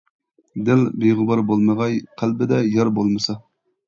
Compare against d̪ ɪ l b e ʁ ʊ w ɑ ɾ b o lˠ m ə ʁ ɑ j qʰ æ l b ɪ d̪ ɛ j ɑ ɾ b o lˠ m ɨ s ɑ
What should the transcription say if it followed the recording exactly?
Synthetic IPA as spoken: d̪ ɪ l b e ʁ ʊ b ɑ ɾ b o lˠ m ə ʁ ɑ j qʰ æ l b ɪ d̪ ɛ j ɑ ɾ b o lˠ m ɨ s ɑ